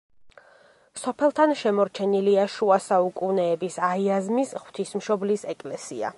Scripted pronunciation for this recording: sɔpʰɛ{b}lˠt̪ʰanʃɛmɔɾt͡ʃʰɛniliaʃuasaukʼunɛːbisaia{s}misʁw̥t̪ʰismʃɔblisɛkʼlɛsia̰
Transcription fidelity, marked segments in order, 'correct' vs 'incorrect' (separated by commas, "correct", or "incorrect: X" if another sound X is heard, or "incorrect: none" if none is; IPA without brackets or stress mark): incorrect: none, incorrect: z